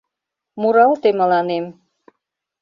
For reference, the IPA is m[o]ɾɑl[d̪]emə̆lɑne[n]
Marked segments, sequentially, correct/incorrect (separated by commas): incorrect, incorrect, incorrect